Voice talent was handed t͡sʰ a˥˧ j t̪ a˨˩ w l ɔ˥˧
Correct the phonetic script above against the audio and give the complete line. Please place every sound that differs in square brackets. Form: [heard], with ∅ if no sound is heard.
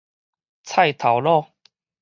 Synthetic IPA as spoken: t͡sʰ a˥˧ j [t̪ʰ] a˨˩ w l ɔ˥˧